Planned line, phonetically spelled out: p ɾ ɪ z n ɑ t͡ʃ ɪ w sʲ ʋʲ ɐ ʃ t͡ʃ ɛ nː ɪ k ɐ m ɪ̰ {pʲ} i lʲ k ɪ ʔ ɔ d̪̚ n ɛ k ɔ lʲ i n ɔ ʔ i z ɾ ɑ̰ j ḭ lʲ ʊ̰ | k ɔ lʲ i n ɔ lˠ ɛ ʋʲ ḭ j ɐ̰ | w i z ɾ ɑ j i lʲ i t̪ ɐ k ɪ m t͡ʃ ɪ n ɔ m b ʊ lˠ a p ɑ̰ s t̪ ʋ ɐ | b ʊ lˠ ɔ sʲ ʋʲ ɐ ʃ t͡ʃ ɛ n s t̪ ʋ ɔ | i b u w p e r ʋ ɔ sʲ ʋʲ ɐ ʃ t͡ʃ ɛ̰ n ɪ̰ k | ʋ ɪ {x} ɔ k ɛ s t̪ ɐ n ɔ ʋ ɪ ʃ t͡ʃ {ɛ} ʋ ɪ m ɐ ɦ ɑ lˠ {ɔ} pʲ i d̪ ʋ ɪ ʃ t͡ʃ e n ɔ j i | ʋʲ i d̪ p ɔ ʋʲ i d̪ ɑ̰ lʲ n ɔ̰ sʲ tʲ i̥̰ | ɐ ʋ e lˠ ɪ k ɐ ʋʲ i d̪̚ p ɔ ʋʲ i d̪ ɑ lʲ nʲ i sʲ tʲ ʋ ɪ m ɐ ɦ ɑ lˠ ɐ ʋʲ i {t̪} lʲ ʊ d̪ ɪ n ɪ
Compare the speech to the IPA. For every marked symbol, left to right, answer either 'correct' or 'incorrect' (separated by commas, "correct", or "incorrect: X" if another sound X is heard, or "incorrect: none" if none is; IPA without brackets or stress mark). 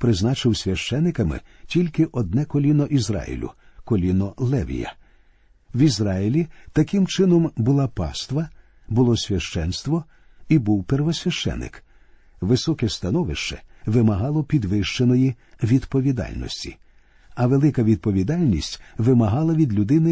incorrect: tʲ, incorrect: s, correct, correct, incorrect: d̪